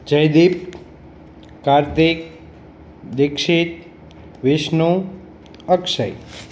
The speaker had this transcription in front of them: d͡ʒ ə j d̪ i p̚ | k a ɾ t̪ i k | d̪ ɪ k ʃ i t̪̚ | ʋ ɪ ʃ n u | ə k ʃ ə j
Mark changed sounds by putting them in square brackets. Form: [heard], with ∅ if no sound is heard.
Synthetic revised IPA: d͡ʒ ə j d̪ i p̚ | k a ɾ t̪ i k | d̪ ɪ k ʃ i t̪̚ | ʋ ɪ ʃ n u | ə k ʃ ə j

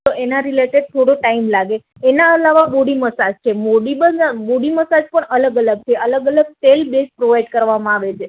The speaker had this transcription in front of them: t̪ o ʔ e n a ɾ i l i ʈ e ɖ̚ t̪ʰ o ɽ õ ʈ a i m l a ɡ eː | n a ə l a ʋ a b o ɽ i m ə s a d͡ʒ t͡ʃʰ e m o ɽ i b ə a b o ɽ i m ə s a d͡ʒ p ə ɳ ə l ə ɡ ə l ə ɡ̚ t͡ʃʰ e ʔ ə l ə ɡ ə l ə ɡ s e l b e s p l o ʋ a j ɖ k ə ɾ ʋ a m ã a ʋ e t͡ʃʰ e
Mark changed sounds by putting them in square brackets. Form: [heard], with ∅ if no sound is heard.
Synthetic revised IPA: t̪ o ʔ e n a ɾ i l [e] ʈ e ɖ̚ t̪ʰ o ɽ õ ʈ a i m l a ɡ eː | n a ə l a ʋ a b o ɽ i m ə s a d͡ʒ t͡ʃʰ e m o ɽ i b ə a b o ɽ i m ə s a d͡ʒ p ə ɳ ə l ə ɡ ə l ə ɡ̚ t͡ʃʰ e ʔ ə l ə ɡ ə l ə ɡ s e l b e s p [ɾ] o ʋ a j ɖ k ə ɾ ʋ a m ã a ʋ e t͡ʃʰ e

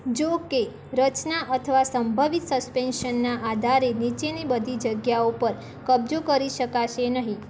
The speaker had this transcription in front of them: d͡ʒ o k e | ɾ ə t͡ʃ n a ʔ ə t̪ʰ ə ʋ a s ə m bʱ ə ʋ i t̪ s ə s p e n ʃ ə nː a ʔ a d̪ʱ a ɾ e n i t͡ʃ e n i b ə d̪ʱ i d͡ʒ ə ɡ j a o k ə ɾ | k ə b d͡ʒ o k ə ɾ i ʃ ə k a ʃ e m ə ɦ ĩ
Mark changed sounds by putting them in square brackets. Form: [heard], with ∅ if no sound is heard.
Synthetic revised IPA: d͡ʒ o k e | ɾ ə t͡ʃ n a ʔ ə t̪ʰ ə ʋ a s ə m bʱ ə ʋ i t̪ s ə s p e n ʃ ə nː a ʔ a d̪ʱ a ɾ e n i t͡ʃ e n i b ə d̪ʱ i d͡ʒ ə ɡ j a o [p] ə ɾ | k ə b d͡ʒ o k ə ɾ i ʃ ə k a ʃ e [n] ə ɦ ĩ

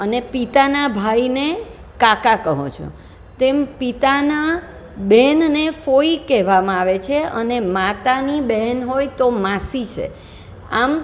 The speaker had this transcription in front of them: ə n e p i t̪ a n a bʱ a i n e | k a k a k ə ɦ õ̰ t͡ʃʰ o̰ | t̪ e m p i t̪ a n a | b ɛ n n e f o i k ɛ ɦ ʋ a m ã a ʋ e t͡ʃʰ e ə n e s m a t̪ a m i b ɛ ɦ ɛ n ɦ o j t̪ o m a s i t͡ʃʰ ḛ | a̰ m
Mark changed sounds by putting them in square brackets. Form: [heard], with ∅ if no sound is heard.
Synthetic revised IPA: ə n e p i t̪ a n a bʱ a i n e | k a k a k ə ɦ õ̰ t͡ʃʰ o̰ | t̪ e m p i t̪ a n a | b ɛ n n e f o i k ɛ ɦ ʋ a m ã a ʋ e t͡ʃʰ e ə n e [∅] m a t̪ a [n] i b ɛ ɦ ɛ n ɦ o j t̪ o m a s i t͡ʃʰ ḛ | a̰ m

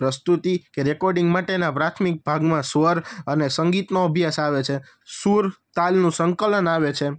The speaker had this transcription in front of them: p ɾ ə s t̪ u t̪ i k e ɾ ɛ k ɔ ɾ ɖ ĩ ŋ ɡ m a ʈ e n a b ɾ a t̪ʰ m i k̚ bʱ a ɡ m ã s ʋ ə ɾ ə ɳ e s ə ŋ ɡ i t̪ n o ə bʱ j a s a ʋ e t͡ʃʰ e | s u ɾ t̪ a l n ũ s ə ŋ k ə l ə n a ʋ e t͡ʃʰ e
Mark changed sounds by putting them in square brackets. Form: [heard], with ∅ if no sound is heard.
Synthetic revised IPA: p ɾ ə s t̪ u t̪ i k e ɾ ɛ k ɔ ɾ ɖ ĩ ŋ ɡ m a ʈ e n a [p] ɾ a t̪ʰ m i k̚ bʱ a ɡ m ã s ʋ ə ɾ ə [n] e s ə ŋ ɡ i t̪ n o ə bʱ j a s a ʋ e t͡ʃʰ e | s u ɾ t̪ a l n ũ s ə ŋ k ə l ə n a ʋ e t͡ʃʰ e

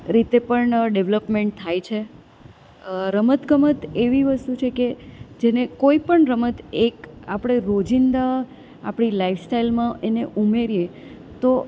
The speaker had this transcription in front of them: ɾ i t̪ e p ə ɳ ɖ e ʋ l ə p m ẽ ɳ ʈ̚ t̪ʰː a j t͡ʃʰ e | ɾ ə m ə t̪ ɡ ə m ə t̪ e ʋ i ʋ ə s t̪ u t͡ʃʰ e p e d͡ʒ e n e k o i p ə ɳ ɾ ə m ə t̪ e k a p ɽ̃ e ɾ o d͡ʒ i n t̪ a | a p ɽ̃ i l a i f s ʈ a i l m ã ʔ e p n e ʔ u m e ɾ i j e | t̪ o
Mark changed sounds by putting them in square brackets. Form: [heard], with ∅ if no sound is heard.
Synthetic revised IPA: ɾ i t̪ e p ə ɳ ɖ e ʋ l ə p m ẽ ɳ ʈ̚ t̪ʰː a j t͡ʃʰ e | ɾ ə m ə t̪ ɡ ə m ə t̪ e ʋ i ʋ ə s t̪ u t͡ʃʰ e [k] e d͡ʒ e n e k o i p ə ɳ ɾ ə m ə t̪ e k a p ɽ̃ e ɾ o d͡ʒ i n [d̪] a | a p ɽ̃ i l a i f s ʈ a i l m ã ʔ e [∅] n e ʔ u m e ɾ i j e | t̪ o

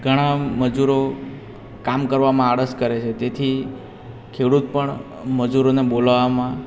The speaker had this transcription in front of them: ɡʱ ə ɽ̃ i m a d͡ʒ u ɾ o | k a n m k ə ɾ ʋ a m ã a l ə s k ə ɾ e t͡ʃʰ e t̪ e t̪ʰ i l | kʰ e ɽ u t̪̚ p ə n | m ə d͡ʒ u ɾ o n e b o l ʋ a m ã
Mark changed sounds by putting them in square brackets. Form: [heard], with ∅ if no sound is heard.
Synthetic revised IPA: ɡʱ ə ɽ̃ [a] m [ə] d͡ʒ u ɾ o | k a [∅] m k ə ɾ ʋ a m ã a [ɽ] ə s k ə ɾ e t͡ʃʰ e t̪ e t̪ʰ i [∅] | kʰ e ɽ u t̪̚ p ə [ɳ] | m ə d͡ʒ u ɾ o n e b o l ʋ a m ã

